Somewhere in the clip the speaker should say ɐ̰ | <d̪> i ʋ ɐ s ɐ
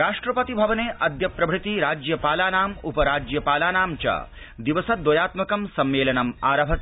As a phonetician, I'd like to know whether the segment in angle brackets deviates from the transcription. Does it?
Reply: no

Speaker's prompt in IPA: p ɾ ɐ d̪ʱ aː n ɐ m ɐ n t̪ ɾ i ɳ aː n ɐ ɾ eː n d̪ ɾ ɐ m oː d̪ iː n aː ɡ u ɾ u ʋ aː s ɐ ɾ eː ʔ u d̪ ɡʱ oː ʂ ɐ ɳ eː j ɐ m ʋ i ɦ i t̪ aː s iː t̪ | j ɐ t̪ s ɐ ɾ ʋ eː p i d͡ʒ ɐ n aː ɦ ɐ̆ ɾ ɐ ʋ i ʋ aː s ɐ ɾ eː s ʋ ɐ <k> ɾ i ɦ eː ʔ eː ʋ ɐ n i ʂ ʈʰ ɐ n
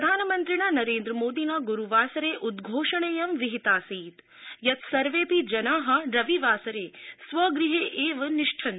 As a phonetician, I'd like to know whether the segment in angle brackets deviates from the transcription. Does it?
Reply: yes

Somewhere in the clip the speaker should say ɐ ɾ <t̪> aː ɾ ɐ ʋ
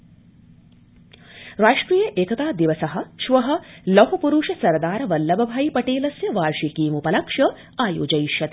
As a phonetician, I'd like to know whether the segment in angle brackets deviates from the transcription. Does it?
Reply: yes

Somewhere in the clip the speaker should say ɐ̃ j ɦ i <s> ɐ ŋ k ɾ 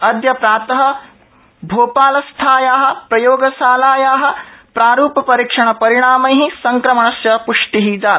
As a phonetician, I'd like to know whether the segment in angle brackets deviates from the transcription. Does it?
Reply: no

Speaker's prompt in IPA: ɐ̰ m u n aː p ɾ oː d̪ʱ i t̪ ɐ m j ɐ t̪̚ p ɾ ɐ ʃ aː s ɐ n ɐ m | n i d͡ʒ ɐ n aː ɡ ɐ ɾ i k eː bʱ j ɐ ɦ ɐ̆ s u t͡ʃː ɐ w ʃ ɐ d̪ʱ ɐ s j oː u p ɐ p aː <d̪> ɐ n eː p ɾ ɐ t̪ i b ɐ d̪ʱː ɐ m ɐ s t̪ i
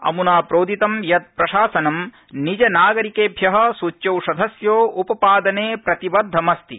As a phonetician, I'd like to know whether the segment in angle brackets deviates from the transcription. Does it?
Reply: no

